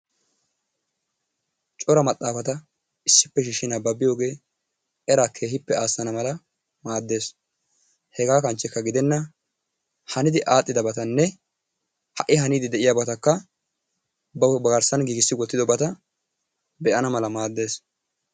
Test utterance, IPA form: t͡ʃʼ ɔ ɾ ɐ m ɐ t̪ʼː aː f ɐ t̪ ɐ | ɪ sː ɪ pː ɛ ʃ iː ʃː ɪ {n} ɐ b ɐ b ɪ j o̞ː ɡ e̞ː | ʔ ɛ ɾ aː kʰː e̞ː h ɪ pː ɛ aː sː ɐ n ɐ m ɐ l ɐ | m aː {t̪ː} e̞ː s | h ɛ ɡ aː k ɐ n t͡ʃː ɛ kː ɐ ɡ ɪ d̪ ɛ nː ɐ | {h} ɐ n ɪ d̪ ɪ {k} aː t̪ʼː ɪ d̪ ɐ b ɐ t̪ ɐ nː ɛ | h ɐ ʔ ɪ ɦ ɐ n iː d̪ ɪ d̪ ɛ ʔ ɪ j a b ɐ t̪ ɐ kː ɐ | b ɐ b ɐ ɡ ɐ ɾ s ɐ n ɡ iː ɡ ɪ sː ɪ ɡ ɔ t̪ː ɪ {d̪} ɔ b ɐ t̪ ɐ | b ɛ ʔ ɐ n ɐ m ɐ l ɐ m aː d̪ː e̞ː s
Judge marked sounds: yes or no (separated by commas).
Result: yes, no, yes, no, yes